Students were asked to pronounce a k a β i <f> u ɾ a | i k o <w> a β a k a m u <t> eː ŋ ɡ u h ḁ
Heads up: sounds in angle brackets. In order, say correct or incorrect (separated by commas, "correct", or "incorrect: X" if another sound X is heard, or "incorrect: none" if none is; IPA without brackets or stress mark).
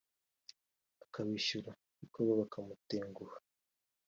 incorrect: ʃ, incorrect: β, correct